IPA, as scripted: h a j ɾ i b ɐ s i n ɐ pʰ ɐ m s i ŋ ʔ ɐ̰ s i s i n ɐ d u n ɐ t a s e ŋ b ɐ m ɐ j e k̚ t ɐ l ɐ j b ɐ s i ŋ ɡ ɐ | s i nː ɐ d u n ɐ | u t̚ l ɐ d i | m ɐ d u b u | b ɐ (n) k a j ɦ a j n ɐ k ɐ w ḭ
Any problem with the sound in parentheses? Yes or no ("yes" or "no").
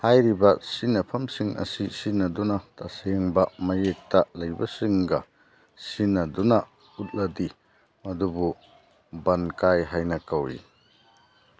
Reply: no